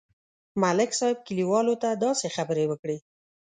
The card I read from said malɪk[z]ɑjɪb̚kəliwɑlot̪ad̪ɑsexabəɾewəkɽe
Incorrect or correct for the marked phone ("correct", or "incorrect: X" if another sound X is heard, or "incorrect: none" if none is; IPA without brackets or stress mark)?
incorrect: s